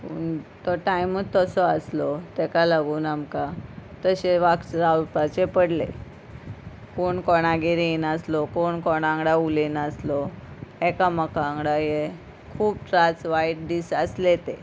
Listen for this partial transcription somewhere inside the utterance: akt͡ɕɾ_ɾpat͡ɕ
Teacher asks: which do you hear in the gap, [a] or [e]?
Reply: a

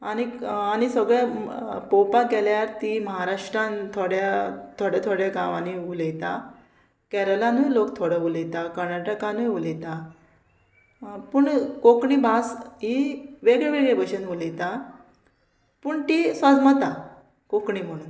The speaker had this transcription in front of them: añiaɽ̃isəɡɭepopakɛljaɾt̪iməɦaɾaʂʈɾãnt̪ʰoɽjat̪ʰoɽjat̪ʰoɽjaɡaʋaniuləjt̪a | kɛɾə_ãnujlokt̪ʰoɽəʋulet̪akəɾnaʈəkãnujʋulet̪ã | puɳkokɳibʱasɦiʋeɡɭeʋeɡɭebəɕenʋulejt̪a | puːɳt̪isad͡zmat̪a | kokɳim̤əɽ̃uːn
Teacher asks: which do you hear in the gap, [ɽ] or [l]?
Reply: l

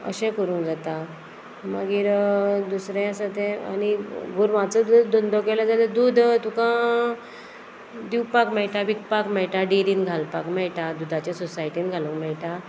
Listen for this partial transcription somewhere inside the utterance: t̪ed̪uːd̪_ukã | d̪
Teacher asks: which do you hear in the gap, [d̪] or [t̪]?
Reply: t̪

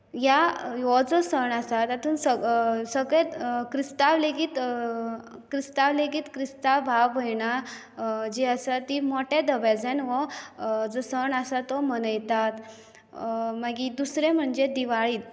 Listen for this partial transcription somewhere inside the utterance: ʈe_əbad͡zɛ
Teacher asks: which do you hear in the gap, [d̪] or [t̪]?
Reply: d̪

